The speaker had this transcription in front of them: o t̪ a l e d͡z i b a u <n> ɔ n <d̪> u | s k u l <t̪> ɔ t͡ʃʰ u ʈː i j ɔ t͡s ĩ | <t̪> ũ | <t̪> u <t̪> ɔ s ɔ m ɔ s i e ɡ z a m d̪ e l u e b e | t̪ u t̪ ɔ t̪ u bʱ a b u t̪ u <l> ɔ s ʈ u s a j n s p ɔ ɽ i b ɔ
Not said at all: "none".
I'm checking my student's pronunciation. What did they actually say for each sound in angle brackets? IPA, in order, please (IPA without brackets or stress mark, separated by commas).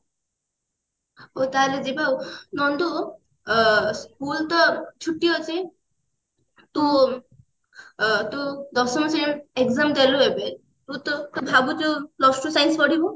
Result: n, d̪, t̪, t̪, t̪, d̪, l